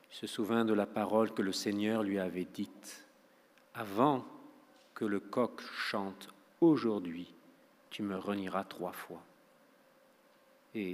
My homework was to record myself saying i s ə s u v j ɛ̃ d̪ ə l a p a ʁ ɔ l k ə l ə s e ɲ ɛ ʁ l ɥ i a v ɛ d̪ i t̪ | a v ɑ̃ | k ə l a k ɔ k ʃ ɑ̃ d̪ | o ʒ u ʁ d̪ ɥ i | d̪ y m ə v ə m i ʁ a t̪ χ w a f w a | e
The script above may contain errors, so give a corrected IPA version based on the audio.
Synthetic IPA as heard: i s ə s u v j ɛ̃ d̪ ə l a p a ʁ ɔ l k ə l ə s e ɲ œ ʁ l ɥ i a v ɛ d̪ i t̪ | a v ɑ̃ | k ə l ə k ɔ k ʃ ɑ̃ t̪ | o ʒ u ʁ d̪ ɥ i | t̪ y m ə ʁ ə n i ʁ a t̪ χ w a f w a | e